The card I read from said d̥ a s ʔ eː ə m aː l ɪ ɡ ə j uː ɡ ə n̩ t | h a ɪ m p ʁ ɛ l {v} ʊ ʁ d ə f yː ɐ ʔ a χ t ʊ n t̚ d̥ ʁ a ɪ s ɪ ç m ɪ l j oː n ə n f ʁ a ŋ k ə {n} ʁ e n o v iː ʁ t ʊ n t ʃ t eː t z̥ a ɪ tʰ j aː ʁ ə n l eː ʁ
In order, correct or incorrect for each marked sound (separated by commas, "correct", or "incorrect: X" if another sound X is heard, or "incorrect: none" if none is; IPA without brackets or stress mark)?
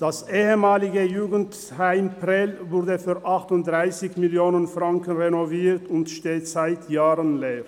correct, correct